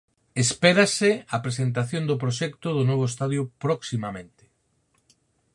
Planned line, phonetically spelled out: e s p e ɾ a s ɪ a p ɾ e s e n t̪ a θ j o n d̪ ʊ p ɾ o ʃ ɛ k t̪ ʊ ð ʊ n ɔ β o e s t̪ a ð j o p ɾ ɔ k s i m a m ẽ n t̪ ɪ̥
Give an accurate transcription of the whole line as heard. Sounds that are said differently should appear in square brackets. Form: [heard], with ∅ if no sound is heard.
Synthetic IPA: e s p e ɾ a s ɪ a p ɾ e s e n t̪ a θ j o n d̪ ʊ p ɾ o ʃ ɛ k t̪ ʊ ð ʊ n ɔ β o e s t̪ a ð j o p ɾ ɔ k s i m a m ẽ n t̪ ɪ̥

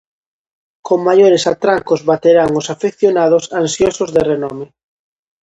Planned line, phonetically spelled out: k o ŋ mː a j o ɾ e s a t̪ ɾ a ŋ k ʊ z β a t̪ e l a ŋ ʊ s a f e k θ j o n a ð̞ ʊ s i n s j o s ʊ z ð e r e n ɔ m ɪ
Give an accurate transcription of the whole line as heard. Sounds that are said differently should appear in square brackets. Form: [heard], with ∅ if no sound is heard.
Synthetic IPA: k o ŋ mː a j o ɾ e s a t̪ ɾ a ŋ k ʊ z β a t̪ e [ɾ] a ŋ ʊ s a f e k θ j o n a ð̞ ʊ s [a] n s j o s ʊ z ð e r e n ɔ m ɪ

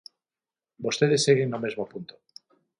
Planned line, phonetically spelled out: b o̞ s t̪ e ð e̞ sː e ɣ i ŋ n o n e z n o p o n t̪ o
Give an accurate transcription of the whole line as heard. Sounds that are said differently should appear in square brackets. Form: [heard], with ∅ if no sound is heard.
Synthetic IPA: b o̞ s t̪ e ð e̞ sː e ɣ [e] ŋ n o [m] e z [m] o p [u] n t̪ o

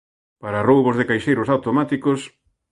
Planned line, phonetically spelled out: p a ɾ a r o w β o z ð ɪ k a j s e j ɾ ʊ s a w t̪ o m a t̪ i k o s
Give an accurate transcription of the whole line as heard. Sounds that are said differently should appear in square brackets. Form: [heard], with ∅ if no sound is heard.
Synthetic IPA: p a ɾ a r o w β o z ð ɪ k a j [ʃ] e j ɾ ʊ s a w t̪ o m a t̪ i k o s

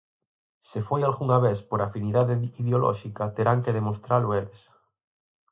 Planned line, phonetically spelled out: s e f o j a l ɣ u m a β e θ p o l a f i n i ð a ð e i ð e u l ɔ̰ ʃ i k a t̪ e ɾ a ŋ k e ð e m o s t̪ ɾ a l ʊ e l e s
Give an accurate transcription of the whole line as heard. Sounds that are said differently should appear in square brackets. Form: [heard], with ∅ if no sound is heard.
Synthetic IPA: s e f o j a l ɣ u [ŋ] a β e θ p o [ɾ] a f i n i ð a ð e i ð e [o] l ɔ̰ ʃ i k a t̪ e ɾ a ŋ k e ð e m o s t̪ ɾ a l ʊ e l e s

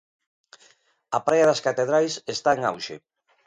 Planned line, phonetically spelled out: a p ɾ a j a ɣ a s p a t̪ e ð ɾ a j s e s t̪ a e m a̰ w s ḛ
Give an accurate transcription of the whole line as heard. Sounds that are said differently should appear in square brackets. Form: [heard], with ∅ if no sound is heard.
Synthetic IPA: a p ɾ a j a [ð] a s [k] a t̪ e ð ɾ a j s e s t̪ a e [ŋ] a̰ w [ʃ] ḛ

